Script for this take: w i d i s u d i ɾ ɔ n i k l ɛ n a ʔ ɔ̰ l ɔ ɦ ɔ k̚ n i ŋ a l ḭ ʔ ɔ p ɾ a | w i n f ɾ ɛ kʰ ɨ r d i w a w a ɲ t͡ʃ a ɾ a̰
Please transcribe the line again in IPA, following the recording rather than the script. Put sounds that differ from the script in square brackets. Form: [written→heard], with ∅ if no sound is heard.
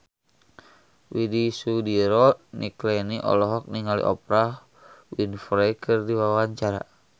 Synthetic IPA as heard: w i d i s u d i ɾ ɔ n i k l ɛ n [a→i] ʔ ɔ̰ l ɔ ɦ ɔ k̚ n i ŋ a l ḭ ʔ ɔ p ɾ a | w i n f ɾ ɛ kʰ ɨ r d i w a w a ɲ t͡ʃ a ɾ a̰